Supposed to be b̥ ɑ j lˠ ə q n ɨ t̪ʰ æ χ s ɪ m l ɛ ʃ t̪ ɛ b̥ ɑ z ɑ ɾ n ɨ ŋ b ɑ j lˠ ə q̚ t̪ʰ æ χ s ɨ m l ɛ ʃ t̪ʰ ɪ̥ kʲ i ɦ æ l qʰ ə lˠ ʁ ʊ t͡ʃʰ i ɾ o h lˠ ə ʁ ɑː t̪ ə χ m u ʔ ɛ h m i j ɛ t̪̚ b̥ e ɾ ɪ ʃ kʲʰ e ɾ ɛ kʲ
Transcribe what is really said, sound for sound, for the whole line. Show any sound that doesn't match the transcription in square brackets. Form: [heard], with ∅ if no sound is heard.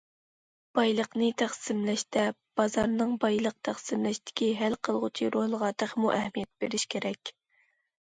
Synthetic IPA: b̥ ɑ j lˠ ə q n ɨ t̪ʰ æ χ s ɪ m l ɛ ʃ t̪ ɛ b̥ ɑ z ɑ ɾ n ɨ ŋ b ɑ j lˠ ə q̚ t̪ʰ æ χ s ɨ m l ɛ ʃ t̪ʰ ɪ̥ kʲ i ɦ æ l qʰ ə lˠ ʁ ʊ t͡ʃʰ i ɾ o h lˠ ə ʁ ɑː t̪ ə χ m u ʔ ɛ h m i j ɛ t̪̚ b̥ e ɾ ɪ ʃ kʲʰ e ɾ ɛ kʲ